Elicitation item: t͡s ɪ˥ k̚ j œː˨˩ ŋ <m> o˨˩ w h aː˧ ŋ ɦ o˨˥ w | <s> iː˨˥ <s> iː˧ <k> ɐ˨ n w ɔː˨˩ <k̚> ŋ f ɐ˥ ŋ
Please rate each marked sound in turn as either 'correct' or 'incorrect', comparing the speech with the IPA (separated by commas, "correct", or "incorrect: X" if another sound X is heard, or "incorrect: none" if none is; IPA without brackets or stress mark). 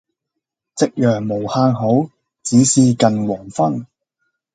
correct, incorrect: t͡s, correct, correct, incorrect: none